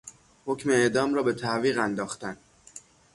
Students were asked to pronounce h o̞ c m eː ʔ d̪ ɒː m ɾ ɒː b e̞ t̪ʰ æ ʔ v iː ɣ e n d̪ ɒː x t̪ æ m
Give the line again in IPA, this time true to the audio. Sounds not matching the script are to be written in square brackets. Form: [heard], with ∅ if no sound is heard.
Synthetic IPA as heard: h o̞ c m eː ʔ d̪ ɒː m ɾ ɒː b e̞ t̪ʰ æ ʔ v iː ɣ [æ] n d̪ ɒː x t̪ æ [n]

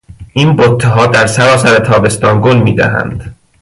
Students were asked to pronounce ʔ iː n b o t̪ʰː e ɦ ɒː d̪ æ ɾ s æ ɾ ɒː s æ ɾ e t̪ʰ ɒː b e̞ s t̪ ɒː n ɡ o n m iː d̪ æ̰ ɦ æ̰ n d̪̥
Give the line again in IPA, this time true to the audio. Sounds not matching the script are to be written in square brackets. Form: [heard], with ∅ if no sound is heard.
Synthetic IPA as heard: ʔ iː n b o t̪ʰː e ɦ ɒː d̪ æ ɾ s æ ɾ ɒː s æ ɾ e t̪ʰ ɒː b e̞ s t̪ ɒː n ɡ o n m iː d̪ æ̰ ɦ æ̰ n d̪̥

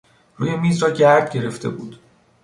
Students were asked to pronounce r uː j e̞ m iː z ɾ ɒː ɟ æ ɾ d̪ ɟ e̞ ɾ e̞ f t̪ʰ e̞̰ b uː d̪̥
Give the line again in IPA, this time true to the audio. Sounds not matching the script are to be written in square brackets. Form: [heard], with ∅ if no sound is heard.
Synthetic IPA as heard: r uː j e̞ m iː z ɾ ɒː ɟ æ ɾ d̪ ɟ e̞ ɾ e̞ f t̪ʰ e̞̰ b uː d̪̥

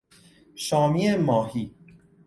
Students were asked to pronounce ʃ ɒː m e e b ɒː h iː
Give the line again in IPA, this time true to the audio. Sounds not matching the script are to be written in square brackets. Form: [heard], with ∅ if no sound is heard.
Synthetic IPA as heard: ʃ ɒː m [i] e [m] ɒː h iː

